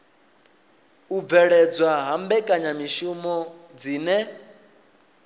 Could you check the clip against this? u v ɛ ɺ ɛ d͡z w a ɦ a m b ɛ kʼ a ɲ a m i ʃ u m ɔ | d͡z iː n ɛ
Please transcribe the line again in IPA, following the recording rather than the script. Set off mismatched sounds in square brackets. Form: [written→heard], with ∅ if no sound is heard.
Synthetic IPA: u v ɛ ɺ ɛ d͡z w a ɦ a m b ɛ kʼ a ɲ a m i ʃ u m ɔ | d͡z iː n ɛ